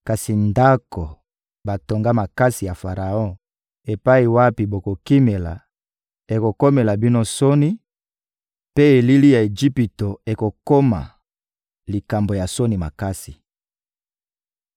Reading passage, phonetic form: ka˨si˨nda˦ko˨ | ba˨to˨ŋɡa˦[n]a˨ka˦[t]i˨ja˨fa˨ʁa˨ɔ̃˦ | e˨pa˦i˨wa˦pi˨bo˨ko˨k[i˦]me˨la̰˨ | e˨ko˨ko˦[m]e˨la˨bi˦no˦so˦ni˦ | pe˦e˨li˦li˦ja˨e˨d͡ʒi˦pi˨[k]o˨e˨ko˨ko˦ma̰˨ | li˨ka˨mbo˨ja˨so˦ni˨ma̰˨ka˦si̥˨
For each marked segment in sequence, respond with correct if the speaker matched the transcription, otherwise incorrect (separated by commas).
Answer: incorrect, incorrect, correct, correct, incorrect